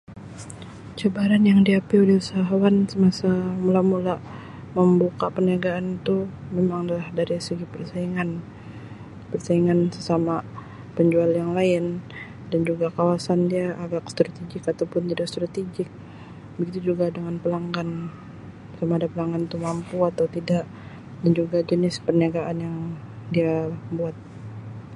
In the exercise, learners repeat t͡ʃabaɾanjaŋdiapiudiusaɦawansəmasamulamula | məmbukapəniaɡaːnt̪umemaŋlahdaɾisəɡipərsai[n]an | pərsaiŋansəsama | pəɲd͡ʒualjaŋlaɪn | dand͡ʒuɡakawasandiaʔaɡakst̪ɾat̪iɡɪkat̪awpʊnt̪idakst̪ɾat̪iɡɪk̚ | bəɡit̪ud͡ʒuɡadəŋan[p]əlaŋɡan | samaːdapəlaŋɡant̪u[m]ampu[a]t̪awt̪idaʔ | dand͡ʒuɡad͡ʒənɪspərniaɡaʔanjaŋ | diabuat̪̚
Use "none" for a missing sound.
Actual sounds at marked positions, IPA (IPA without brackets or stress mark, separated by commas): ŋ, p, m, a